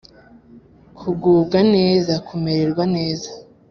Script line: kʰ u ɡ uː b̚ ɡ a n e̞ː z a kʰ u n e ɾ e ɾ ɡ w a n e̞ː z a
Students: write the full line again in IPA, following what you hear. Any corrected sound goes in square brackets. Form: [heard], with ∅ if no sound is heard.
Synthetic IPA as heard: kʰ u ɡ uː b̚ ɡ a n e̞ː z a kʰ u [m] e ɾ e ɾ ɡ w a n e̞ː z a